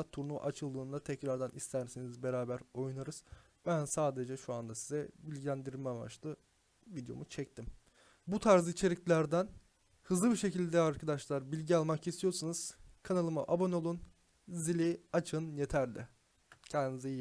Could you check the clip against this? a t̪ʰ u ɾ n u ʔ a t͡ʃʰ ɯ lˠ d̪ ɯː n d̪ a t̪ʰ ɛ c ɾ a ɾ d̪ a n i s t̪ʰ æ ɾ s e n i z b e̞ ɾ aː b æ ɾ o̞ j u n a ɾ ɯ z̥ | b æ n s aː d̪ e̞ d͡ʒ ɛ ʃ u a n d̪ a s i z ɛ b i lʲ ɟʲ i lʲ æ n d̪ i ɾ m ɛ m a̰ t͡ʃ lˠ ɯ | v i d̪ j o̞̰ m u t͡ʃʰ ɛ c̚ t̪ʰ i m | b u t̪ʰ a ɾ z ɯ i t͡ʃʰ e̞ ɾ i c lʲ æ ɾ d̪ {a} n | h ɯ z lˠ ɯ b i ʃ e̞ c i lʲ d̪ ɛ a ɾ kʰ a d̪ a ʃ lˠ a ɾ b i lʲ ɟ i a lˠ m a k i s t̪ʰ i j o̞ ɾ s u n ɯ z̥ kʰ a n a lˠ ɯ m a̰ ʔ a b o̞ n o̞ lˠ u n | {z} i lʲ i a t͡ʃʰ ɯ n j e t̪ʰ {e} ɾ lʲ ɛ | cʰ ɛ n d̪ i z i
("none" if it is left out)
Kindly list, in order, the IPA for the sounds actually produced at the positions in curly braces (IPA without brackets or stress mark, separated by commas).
æ, z, æ